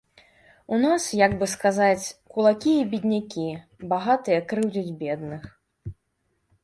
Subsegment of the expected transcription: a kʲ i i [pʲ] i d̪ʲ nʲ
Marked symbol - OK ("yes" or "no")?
no